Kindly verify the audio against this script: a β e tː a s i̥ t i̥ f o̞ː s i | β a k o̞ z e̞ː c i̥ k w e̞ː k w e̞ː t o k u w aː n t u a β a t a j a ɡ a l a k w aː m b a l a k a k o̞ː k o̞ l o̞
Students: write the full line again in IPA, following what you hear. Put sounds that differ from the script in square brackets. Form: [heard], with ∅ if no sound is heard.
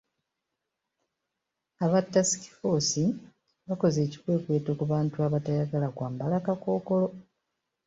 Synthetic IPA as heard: a β [a] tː a s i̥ [k] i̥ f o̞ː s i | β a k o̞ z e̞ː c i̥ k w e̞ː k w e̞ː t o k u [β] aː n t u a β a t a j a ɡ a l a k w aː m b a l a k a k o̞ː k o̞ l o̞